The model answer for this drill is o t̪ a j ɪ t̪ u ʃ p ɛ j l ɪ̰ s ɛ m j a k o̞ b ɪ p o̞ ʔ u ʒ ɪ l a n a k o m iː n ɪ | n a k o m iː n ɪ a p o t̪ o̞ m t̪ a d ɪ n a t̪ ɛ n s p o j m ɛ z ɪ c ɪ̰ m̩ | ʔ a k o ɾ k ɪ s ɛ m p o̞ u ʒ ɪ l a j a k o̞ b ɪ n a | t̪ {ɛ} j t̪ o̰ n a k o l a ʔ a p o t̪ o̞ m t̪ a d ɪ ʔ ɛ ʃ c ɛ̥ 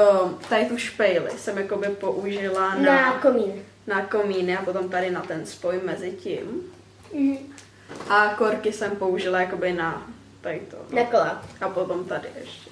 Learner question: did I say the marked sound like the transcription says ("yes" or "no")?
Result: no